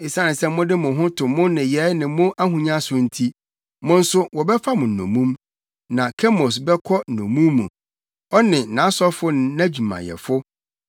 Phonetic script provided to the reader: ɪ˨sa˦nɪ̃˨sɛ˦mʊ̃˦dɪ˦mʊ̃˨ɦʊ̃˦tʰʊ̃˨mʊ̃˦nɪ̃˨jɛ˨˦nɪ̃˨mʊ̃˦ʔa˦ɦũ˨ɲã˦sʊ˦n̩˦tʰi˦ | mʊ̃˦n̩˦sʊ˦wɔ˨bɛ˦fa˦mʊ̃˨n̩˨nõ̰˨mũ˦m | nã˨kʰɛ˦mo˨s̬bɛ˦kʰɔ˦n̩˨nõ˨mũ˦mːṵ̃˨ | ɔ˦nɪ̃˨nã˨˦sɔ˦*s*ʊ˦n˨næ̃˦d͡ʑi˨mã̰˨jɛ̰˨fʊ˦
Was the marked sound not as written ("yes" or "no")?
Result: yes